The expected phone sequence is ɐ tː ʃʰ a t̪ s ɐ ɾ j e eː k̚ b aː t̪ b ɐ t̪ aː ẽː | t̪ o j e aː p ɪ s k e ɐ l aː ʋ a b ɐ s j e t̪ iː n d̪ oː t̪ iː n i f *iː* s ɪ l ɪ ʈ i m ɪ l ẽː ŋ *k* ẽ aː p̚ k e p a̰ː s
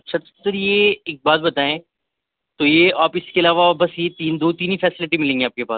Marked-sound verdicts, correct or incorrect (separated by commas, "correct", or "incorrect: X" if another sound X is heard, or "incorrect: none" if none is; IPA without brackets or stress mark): incorrect: ɛː, incorrect: ɡ